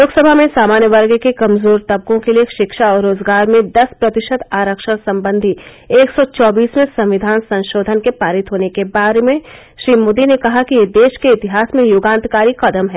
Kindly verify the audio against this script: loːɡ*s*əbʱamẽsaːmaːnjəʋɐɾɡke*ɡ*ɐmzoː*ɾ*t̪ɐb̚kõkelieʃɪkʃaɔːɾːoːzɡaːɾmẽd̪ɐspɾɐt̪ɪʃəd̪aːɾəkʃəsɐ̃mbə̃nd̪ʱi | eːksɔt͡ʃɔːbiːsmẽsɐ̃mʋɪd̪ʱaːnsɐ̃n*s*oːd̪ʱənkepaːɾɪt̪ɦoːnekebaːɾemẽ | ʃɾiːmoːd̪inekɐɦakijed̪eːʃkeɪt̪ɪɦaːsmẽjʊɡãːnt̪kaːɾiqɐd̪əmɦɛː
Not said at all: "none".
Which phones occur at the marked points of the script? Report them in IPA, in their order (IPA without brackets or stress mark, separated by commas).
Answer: s, k, ɾ, ʃ